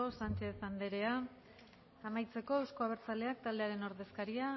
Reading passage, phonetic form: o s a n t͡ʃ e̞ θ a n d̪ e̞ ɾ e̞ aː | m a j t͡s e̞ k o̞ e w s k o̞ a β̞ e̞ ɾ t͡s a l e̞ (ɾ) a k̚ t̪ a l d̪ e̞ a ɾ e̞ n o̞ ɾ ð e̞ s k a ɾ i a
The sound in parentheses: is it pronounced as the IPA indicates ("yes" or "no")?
no